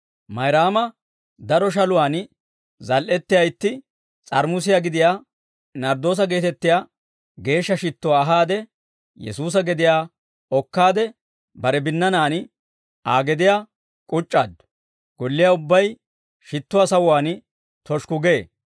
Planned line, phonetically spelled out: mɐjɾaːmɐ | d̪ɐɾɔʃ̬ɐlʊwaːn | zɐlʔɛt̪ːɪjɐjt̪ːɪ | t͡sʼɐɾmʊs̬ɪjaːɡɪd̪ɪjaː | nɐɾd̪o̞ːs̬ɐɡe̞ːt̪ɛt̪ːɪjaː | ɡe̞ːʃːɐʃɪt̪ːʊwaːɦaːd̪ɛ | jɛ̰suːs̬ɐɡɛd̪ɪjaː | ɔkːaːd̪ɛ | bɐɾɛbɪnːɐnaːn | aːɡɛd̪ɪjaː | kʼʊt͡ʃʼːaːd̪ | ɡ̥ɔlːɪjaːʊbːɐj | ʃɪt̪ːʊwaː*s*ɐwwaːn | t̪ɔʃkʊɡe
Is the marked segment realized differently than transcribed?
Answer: no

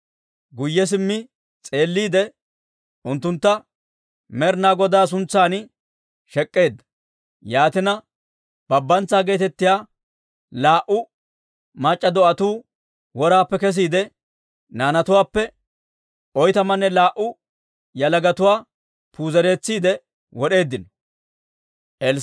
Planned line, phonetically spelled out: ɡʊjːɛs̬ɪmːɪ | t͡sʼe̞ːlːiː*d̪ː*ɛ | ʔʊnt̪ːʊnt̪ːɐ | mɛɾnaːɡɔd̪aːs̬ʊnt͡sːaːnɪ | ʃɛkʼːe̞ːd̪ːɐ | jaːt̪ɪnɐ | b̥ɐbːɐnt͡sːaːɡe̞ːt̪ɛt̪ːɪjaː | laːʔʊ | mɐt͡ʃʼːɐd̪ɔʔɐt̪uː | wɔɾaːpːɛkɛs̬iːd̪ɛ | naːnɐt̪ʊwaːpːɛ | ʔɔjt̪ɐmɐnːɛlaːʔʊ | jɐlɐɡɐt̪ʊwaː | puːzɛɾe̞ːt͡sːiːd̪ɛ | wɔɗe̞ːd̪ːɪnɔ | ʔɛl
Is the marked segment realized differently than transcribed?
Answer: yes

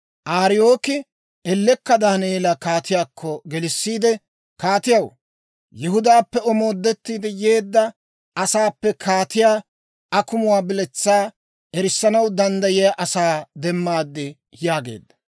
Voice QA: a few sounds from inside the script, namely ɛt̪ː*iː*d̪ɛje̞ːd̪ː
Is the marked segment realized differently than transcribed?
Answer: no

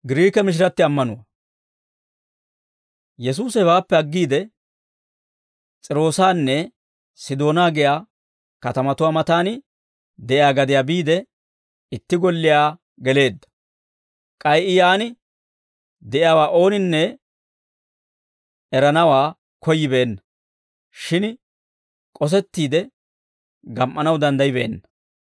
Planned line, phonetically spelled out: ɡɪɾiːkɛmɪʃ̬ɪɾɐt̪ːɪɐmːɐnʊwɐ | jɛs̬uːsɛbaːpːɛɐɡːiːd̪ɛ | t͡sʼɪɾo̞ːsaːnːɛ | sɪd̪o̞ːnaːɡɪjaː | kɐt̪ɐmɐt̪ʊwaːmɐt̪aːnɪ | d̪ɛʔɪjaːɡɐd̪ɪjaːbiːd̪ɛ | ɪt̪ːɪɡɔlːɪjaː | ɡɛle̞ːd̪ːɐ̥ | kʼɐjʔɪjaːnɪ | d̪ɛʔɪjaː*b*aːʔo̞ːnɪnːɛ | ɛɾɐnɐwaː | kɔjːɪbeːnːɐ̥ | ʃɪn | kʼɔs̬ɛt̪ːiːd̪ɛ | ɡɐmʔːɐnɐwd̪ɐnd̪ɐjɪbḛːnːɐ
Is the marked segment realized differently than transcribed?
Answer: yes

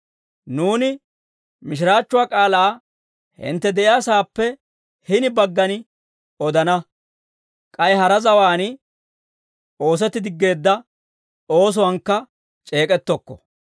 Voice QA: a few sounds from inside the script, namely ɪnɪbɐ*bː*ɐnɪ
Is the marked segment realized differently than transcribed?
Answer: yes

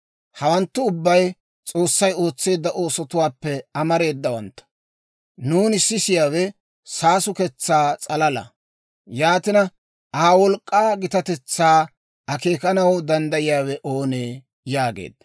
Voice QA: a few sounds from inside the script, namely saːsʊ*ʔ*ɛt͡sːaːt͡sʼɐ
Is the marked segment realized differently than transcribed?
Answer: yes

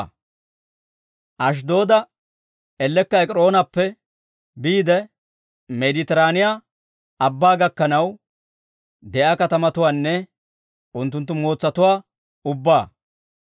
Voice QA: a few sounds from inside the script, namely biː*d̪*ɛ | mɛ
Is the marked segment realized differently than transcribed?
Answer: no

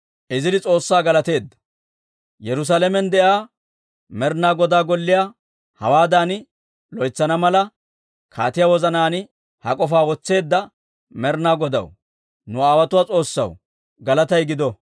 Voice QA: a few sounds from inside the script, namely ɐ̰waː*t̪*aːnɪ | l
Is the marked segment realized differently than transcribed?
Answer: yes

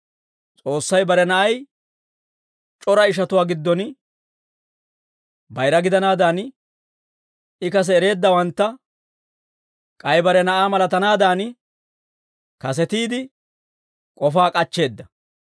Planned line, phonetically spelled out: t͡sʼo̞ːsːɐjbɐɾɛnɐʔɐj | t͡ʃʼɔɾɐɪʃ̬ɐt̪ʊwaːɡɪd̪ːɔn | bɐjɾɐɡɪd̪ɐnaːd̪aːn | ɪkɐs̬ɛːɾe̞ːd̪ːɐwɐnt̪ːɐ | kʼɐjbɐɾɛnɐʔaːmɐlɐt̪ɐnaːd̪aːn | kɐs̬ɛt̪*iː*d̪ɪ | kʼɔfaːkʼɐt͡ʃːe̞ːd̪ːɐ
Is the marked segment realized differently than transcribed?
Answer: no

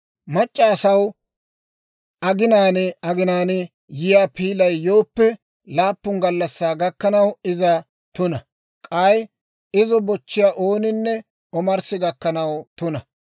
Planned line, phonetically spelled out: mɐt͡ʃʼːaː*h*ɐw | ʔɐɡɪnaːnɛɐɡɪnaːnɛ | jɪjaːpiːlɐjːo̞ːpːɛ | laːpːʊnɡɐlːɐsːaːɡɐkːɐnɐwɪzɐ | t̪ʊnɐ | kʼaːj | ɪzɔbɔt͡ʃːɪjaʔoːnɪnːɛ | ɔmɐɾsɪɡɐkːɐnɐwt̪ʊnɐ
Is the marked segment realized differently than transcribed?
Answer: yes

